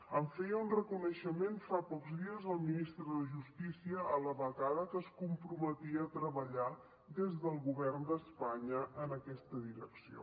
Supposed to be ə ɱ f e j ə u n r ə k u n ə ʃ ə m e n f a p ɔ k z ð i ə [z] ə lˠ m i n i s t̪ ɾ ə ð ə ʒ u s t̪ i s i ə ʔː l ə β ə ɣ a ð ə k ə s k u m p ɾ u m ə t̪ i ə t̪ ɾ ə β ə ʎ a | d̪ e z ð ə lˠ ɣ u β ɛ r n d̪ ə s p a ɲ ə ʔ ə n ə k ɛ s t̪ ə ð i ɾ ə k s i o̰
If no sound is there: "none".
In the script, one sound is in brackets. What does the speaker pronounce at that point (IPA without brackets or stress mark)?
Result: z